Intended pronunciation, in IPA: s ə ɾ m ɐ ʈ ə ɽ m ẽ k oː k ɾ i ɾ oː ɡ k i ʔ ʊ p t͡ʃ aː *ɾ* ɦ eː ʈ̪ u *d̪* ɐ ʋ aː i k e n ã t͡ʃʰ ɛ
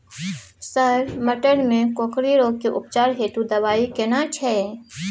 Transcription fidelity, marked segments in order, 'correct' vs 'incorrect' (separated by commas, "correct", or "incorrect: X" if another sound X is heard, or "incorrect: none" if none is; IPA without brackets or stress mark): correct, correct